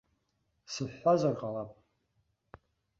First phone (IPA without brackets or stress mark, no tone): s